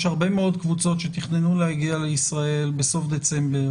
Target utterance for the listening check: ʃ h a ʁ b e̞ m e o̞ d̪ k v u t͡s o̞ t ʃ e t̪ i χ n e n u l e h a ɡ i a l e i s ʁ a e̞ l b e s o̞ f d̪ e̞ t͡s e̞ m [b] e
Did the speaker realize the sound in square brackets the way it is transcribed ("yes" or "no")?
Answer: yes